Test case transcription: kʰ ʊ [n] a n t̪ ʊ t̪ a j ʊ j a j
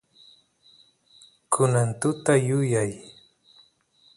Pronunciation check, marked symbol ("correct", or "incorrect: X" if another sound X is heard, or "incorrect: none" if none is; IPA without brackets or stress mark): correct